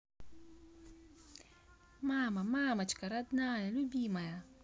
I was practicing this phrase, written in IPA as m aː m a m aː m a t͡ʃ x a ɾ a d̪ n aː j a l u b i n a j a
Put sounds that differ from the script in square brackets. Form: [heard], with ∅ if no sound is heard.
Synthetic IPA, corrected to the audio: m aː m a m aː m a t͡ʃ [k] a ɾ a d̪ n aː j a l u b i [m] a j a